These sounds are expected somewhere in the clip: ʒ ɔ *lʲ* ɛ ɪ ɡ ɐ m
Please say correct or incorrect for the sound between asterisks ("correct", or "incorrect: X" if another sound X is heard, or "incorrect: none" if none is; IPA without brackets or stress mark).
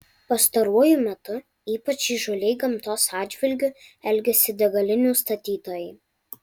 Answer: correct